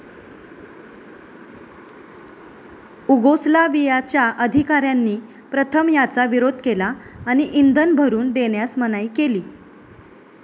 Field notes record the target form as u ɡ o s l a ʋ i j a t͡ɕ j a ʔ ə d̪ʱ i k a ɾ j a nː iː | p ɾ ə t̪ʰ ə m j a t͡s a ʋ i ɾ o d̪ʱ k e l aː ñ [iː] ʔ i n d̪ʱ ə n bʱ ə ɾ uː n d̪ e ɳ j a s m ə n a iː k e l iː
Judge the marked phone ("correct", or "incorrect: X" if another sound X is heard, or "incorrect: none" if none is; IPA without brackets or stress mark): incorrect: i